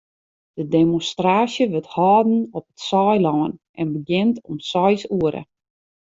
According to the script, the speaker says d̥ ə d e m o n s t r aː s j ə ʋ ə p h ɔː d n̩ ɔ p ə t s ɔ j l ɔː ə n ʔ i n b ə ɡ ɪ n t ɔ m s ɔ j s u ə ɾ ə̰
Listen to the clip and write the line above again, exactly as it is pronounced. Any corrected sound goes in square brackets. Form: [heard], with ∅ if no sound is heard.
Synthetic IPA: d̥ ə d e m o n s t r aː s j ə ʋ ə [t] h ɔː d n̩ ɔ p ə t s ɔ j l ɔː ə n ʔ [ɛ] n b ə ɡ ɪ n t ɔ m s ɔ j s u ə ɾ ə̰